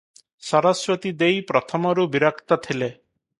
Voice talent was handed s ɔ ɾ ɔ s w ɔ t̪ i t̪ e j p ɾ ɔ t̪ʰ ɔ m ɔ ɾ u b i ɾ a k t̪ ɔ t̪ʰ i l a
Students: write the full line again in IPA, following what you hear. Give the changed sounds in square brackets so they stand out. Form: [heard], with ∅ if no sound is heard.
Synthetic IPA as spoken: s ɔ ɾ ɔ s w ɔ t̪ i [d̪] e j p ɾ ɔ t̪ʰ ɔ m ɔ ɾ u b i ɾ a k t̪ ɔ t̪ʰ i l [e]